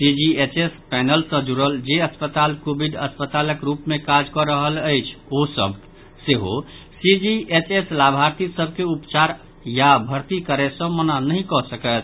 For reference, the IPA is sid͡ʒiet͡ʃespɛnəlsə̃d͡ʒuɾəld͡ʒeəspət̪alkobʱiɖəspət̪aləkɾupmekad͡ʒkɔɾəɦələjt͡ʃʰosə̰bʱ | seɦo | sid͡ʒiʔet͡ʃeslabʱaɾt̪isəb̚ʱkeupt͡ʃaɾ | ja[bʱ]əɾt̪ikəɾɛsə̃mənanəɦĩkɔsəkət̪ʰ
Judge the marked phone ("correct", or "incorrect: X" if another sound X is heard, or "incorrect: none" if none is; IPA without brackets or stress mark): correct